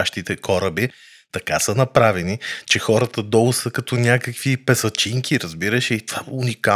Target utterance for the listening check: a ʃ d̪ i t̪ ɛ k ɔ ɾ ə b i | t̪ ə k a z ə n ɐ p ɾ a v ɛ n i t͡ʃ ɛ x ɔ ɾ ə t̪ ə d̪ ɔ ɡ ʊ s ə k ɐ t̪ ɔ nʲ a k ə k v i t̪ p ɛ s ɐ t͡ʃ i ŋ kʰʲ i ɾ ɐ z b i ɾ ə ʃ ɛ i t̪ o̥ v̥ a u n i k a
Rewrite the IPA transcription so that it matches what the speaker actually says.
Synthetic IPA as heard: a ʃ t̪ i t̪ ɛ k ɔ ɾ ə b i | t̪ ɐ k a s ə n ɐ p ɾ a v ɛ n i t͡ʃ ɛ x ɔ ɾ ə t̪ ə d̪ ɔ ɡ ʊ s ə k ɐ t̪ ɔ nʲ a k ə k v i p ɛ s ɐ t͡ʃ i ŋ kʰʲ i ɾ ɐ z b i ɾ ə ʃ ɛ i t̪ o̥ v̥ a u n i k a